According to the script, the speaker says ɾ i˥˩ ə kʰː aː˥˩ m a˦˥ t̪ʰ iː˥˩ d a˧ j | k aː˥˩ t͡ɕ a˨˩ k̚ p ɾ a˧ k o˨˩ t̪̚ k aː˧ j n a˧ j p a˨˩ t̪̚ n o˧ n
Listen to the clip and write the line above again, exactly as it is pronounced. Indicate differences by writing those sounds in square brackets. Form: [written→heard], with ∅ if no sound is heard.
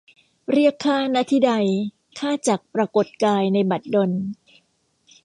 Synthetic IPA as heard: ɾ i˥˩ ə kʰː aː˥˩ [m→n] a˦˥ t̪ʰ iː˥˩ d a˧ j | [k→kʰ] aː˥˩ t͡ɕ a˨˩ k̚ p ɾ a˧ k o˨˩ t̪̚ k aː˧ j n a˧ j [p→b] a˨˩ t̪̚ [n→d] o˧ n

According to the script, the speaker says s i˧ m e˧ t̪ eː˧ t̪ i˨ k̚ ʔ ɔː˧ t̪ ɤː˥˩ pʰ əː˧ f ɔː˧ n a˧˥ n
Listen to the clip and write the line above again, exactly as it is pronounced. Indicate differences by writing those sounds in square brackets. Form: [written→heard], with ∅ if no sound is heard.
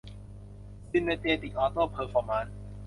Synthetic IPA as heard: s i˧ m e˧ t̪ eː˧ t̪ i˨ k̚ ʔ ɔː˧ t̪ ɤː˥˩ pʰ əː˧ f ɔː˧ [n→m] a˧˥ n

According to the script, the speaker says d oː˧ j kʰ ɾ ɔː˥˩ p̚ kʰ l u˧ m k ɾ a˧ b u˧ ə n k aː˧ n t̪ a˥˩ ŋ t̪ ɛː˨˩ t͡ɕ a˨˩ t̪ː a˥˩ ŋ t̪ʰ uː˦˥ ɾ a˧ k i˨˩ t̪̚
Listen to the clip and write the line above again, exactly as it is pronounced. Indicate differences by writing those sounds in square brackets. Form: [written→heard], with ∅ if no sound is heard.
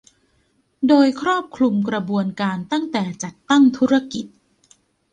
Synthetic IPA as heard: d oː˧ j kʰ ɾ ɔː˥˩ p̚ kʰ l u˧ m k ɾ a˧ b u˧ ə n k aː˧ n t̪ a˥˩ ŋ t̪ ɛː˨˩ t͡ɕ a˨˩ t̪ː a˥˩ ŋ t̪ʰ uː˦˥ ɾ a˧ k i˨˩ t̪̚

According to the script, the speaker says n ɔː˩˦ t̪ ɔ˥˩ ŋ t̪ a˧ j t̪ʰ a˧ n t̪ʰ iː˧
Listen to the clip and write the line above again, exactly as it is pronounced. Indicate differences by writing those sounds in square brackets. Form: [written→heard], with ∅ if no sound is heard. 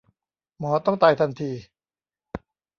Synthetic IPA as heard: [n→m] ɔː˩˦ t̪ ɔ˥˩ ŋ t̪ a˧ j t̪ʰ a˧ n t̪ʰ iː˧

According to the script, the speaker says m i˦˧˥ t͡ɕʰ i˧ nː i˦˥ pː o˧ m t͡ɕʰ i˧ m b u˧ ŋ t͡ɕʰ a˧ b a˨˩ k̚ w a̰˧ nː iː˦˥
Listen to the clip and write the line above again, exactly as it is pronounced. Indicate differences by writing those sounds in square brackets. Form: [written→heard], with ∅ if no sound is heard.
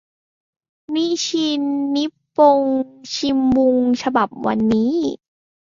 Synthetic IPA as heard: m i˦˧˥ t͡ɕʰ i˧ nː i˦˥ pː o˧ [m→ŋ] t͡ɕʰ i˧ m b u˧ ŋ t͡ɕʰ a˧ b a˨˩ [k̚→p̚] w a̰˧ nː iː˦˥

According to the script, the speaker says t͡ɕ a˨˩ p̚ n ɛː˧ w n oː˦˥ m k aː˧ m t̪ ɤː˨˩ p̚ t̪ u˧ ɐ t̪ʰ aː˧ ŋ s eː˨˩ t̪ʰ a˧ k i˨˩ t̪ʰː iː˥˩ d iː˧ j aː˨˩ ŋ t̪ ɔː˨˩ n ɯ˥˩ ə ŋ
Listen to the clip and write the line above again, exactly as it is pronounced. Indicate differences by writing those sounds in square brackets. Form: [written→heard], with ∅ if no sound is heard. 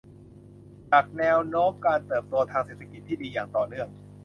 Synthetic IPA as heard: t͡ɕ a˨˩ [p̚→k̚] n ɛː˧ w n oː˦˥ m k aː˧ [m→n] t̪ ɤː˨˩ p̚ t̪ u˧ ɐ t̪ʰ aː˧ ŋ s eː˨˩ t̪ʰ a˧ k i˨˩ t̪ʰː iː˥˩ d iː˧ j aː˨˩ ŋ t̪ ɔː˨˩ n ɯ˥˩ ə ŋ

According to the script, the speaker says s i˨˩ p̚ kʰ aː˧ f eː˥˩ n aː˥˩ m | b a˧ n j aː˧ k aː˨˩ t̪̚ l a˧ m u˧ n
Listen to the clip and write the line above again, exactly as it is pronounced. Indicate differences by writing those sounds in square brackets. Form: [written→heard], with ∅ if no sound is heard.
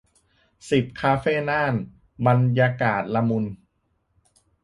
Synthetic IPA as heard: s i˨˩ p̚ kʰ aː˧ f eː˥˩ n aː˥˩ [m→n] | b a˧ n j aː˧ k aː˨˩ t̪̚ l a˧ m u˧ n

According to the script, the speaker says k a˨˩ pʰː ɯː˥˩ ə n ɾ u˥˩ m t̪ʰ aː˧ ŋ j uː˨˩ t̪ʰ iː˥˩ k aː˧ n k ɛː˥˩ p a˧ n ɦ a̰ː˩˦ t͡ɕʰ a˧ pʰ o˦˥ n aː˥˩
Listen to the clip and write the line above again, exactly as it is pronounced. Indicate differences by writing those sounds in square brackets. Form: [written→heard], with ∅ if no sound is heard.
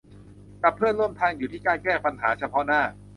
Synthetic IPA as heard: k a˨˩ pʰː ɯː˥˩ ə n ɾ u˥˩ m t̪ʰ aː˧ ŋ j uː˨˩ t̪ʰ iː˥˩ k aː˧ n k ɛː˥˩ p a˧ n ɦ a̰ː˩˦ t͡ɕʰ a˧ pʰ [o˦˥→ɔ˦˥] n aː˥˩

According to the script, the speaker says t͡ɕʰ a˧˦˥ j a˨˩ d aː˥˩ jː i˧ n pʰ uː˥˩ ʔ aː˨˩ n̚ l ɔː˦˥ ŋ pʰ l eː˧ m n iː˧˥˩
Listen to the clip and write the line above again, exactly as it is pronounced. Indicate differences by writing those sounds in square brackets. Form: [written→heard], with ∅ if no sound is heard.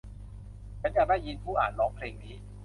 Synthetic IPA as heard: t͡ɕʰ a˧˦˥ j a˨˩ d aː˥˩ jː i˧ n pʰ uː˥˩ ʔ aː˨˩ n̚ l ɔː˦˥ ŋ pʰ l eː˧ [m→ŋ] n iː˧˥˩

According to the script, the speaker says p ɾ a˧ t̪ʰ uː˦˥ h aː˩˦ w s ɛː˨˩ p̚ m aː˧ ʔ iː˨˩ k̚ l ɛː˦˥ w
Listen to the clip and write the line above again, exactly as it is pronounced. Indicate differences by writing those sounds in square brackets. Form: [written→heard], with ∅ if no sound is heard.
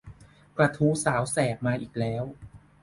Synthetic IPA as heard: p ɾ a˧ t̪ʰ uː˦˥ [h→s] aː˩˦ w s ɛː˨˩ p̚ m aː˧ ʔ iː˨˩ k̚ l ɛː˦˥ w

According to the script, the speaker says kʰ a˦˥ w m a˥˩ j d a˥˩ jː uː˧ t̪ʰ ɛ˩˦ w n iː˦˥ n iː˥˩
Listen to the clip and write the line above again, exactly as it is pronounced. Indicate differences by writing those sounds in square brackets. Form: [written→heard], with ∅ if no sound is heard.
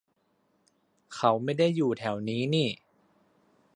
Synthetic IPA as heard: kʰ a˦˥ w m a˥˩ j d a˥˩ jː [uː˧→uː˨˩] t̪ʰ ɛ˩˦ w n iː˦˥ n iː˥˩

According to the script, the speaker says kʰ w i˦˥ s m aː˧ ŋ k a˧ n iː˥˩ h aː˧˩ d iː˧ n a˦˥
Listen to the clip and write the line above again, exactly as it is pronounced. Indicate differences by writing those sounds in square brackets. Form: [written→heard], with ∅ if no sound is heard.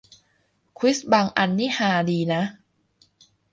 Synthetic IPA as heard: kʰ w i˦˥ s [m→b] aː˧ ŋ [k→ʔ] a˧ [n→nː] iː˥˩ h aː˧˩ d iː˧ n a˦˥

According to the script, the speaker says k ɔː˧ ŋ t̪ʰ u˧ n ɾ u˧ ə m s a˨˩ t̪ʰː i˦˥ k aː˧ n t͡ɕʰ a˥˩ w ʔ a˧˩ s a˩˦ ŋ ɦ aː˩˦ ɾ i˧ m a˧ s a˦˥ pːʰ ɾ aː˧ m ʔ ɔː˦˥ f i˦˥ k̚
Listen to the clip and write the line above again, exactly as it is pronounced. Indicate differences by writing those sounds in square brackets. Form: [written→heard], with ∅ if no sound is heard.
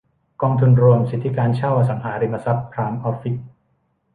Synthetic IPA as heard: k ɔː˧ ŋ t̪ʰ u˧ n ɾ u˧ ə m s [a˨˩→i˨˩] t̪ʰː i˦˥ k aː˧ n t͡ɕʰ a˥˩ w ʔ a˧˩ s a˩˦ ŋ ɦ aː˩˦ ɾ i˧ m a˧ s a˦˥ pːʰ ɾ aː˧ m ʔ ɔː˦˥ f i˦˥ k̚

